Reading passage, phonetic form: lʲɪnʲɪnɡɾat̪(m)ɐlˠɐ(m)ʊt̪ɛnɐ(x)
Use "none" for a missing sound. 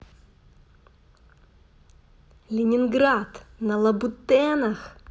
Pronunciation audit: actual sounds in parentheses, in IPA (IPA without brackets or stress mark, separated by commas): n, b, x